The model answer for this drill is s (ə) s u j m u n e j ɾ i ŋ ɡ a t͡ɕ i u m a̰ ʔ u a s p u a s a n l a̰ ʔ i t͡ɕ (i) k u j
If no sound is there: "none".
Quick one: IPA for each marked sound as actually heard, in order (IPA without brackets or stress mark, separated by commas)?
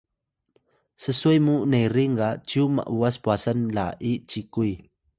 ə, i